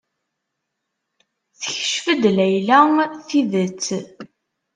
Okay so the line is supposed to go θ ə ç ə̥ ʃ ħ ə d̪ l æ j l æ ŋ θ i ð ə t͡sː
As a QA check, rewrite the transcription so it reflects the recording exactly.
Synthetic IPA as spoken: θ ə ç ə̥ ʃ f ə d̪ l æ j l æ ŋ θ i ð ə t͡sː